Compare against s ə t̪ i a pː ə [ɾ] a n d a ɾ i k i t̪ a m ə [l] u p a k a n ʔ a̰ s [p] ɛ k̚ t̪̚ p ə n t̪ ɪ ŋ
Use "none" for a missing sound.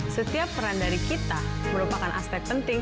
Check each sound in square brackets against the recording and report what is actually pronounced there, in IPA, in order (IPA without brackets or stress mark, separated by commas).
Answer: ɾ, ɾ, p